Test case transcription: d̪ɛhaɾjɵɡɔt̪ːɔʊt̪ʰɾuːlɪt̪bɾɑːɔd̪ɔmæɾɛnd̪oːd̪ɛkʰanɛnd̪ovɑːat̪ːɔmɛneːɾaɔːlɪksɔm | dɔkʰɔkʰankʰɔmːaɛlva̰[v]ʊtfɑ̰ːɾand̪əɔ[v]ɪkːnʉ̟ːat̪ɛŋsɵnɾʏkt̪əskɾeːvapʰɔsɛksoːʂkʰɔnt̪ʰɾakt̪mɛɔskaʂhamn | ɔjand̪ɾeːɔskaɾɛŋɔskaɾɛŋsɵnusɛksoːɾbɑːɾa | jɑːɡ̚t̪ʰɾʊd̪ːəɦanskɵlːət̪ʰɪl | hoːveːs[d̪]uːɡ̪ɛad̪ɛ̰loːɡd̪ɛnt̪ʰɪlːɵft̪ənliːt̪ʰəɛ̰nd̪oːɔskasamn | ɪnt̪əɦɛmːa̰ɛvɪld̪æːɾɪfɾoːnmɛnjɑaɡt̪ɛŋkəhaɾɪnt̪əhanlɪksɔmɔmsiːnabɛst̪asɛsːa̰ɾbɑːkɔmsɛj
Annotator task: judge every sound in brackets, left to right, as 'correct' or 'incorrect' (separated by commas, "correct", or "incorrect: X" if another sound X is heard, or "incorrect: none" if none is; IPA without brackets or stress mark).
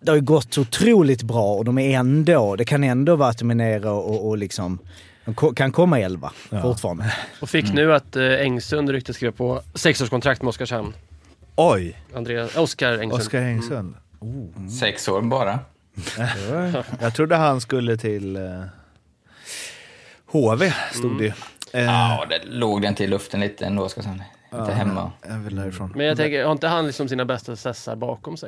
incorrect: f, incorrect: f, incorrect: t̪